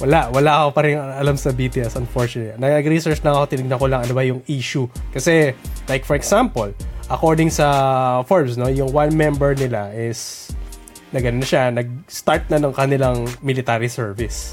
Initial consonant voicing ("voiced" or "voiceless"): voiced